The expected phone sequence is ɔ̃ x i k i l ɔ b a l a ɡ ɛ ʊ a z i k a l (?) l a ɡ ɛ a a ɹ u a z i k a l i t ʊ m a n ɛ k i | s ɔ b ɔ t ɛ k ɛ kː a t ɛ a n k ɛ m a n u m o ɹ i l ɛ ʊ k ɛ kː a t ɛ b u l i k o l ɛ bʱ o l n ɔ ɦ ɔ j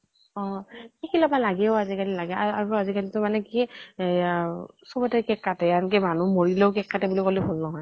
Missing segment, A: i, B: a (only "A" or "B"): A